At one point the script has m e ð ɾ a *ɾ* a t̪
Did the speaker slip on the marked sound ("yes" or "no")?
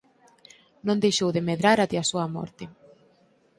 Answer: no